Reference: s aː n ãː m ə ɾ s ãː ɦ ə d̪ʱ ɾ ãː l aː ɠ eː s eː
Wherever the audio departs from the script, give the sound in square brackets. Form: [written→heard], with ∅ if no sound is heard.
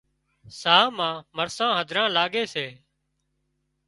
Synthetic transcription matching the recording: s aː [n→m] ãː m ə ɾ s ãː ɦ ə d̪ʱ ɾ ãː l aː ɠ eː s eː